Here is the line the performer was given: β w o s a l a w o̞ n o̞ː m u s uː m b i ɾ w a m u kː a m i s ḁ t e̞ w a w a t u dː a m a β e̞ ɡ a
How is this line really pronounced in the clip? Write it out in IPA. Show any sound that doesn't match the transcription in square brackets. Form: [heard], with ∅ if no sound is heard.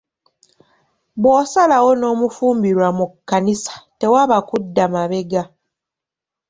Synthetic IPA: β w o s a l a w o̞ n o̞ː m u [f] uː m b i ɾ w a m u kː a [n] i s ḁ t e̞ w a [β] a [k] u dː a m a β e̞ ɡ a